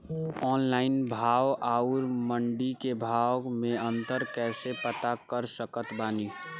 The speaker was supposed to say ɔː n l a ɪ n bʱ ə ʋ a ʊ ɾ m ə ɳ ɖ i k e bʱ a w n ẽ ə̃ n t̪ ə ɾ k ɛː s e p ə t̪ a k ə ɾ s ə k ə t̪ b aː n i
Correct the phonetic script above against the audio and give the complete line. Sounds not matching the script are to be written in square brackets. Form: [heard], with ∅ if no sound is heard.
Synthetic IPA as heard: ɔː n l a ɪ n bʱ [a] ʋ a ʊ ɾ m ə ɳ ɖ i k e bʱ a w [m] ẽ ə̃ n t̪ ə ɾ k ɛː s e p ə t̪ a k ə ɾ s ə k ə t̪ b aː n i